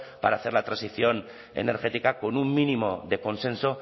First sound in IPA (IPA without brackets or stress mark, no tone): p